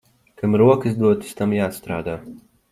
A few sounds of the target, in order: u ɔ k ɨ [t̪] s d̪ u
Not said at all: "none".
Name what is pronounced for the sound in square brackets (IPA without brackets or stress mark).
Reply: none